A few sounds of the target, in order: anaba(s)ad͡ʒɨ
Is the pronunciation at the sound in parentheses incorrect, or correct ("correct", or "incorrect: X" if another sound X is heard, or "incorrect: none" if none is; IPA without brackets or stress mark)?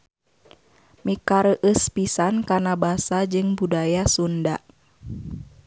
correct